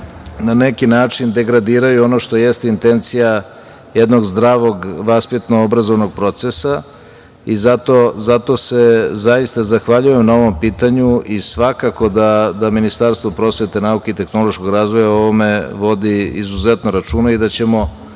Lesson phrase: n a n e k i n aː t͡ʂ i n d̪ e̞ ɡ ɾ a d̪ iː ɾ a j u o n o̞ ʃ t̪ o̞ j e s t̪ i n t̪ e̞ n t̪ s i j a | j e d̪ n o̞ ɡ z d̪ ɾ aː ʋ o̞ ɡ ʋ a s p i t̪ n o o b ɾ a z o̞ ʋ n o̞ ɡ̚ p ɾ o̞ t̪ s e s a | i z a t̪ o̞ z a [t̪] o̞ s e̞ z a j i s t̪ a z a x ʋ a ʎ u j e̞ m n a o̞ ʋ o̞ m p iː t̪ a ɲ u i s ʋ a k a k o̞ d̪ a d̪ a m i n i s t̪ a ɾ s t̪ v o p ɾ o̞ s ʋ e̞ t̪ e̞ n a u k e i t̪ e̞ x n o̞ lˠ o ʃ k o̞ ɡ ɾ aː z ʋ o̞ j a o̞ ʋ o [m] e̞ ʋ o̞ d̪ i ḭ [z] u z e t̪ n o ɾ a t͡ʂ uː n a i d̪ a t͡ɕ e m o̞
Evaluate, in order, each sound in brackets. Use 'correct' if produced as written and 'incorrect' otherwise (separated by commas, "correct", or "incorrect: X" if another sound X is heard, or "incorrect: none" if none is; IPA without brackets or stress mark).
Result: correct, correct, correct